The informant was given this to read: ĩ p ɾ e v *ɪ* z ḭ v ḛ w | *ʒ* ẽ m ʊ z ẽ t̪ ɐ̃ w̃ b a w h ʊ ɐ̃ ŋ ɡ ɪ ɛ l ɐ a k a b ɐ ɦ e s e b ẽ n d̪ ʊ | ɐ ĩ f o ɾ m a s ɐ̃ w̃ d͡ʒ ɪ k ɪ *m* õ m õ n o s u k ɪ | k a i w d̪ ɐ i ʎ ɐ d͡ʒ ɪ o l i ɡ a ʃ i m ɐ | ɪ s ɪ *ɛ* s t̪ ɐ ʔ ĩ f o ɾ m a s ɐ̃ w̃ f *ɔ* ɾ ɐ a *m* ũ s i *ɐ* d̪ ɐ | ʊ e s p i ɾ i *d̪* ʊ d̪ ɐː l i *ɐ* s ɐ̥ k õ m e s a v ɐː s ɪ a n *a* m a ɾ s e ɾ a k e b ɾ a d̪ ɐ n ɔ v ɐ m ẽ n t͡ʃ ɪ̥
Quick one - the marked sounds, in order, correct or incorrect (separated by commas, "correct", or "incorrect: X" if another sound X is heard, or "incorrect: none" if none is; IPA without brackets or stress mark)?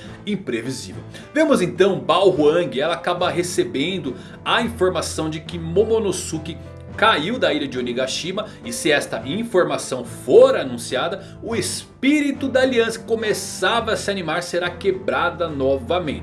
incorrect: i, incorrect: v, correct, correct, incorrect: o, incorrect: n, incorrect: a, incorrect: t̪, incorrect: ɐ̃, incorrect: i